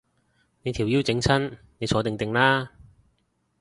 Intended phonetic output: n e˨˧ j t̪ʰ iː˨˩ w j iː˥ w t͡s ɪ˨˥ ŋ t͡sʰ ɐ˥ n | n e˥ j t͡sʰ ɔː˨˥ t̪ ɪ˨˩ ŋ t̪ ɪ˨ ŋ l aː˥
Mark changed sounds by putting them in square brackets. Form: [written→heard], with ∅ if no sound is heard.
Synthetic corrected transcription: n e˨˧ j t̪ʰ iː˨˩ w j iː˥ w t͡s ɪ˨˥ ŋ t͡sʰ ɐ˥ n | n [e˥→e˨˧] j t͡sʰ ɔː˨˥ t̪ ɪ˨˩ ŋ t̪ ɪ˨ ŋ l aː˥